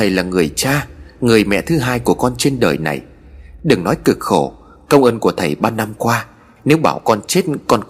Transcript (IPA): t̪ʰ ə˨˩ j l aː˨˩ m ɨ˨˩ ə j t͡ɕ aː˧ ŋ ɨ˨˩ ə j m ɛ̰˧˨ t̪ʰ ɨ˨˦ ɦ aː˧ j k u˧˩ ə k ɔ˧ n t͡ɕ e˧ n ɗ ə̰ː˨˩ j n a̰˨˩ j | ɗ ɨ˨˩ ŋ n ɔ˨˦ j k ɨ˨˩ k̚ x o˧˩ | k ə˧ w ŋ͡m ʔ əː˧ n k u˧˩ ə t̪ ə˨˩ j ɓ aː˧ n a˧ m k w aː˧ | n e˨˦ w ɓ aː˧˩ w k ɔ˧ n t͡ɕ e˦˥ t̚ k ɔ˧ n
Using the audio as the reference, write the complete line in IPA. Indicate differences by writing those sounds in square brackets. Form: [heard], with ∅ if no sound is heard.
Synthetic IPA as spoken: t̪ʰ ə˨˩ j l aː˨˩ [ŋ] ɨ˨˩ ə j t͡ɕ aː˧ ŋ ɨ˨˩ ə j m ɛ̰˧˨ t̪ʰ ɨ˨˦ ɦ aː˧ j k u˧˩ ə k ɔ˧ n t͡ɕ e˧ n ɗ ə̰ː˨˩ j n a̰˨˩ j | ɗ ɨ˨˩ ŋ n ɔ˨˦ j k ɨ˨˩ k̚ x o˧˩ | k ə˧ w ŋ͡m ʔ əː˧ n k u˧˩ ə [t̪ʰ] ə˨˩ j ɓ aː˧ n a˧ m k w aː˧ | n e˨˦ w ɓ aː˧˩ w k ɔ˧ n t͡ɕ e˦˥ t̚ k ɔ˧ n